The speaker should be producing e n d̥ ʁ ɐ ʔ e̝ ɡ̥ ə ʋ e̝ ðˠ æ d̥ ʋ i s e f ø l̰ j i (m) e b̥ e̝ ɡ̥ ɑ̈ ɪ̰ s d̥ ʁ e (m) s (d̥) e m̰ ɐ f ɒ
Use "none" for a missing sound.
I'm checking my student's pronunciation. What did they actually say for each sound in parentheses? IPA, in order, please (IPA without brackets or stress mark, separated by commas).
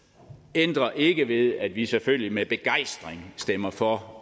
m, ŋ, d̥